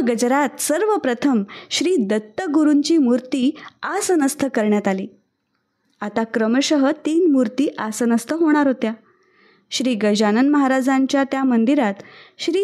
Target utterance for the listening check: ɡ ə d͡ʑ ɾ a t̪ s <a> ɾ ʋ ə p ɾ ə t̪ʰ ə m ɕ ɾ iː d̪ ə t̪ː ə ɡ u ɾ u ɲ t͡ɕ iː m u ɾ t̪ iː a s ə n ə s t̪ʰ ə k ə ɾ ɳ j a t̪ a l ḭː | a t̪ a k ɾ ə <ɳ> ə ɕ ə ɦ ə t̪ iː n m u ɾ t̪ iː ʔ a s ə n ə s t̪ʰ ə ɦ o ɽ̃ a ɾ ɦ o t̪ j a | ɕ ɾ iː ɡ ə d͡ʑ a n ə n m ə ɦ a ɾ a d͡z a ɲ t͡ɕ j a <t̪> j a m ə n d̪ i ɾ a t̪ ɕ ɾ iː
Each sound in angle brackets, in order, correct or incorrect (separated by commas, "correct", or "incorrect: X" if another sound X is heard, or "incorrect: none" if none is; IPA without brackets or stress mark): incorrect: ə, incorrect: m, correct